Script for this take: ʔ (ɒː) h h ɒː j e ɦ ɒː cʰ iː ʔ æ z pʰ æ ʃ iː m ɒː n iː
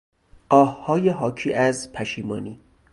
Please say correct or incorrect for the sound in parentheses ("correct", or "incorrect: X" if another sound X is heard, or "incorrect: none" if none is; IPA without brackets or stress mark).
correct